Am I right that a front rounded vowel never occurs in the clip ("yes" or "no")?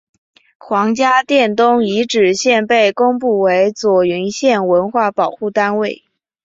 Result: no